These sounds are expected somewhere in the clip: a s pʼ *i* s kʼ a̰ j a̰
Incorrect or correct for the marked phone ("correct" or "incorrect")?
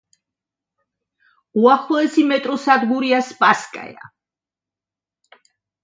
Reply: incorrect